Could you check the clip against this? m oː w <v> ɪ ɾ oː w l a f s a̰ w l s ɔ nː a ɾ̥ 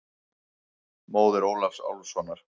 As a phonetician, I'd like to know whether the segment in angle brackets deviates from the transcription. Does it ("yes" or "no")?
yes